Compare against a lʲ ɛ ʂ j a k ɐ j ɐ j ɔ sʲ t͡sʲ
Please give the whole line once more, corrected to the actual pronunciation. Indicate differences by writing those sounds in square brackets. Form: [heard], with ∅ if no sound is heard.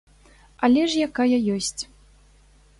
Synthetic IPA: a lʲ ɛ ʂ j a k [a] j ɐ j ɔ sʲ t͡sʲ